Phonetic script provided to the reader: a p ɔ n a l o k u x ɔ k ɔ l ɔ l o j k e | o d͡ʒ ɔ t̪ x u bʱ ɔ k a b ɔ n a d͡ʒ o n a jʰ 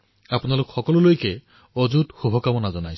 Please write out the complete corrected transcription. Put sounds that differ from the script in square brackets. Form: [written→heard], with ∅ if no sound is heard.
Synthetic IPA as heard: a p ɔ n a l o k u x ɔ k ɔ l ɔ l o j k e | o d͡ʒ [ɔ→u] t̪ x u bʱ ɔ k a [b→m] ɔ n a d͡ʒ [o→ɔ] n a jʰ